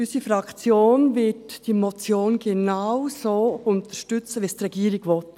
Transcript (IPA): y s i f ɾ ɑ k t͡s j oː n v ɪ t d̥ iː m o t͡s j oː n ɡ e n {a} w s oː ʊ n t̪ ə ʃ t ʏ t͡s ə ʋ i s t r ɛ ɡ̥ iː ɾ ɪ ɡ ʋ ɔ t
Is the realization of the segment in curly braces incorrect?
no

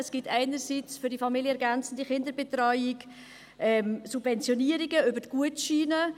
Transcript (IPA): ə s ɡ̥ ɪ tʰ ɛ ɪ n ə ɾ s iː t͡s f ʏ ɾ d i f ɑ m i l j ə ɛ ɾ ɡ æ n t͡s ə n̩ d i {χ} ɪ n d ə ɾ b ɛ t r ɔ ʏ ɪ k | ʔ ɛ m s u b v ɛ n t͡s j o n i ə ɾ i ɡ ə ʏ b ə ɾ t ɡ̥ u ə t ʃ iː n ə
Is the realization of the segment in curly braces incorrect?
no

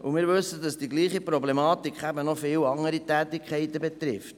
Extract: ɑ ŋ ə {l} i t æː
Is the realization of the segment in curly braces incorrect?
yes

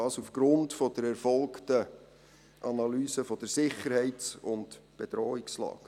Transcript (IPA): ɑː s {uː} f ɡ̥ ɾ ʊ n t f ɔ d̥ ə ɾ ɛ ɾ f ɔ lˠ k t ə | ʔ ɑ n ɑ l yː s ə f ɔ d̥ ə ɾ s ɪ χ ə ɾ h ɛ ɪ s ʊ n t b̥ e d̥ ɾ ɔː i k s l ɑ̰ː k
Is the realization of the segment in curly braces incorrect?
yes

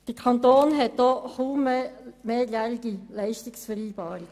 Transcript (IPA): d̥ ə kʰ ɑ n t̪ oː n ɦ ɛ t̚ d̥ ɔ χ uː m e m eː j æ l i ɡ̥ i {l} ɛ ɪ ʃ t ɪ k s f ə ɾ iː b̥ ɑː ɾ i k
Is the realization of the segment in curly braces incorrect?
no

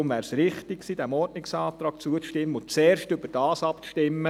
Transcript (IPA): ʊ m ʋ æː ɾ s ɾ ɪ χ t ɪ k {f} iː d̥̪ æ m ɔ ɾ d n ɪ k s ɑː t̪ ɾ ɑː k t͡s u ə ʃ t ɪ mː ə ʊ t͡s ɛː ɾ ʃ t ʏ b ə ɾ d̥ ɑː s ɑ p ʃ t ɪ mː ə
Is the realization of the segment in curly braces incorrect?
yes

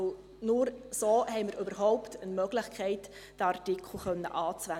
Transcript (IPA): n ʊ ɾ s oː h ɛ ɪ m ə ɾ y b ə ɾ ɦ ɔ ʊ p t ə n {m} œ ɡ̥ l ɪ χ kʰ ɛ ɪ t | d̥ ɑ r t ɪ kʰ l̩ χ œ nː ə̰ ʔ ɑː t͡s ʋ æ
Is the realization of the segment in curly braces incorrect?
no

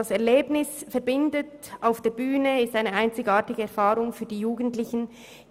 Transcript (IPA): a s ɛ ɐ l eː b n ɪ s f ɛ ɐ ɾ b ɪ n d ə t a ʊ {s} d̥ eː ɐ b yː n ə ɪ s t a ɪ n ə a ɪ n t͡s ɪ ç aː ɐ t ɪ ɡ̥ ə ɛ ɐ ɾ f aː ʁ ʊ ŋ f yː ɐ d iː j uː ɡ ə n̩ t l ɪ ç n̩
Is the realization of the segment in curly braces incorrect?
yes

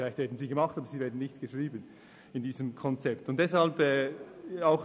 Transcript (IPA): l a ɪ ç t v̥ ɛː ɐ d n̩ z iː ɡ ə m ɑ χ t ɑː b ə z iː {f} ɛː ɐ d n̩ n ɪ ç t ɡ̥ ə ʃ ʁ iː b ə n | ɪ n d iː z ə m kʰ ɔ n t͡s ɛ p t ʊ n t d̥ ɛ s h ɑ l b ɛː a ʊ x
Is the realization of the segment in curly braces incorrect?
yes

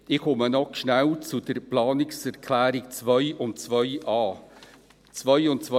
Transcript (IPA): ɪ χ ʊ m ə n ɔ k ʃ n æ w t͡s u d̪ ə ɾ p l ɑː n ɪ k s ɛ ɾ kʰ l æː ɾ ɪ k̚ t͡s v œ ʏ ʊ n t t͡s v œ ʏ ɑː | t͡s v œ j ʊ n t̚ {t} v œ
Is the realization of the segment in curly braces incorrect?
yes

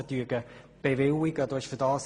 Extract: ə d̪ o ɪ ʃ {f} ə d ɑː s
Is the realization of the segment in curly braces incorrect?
no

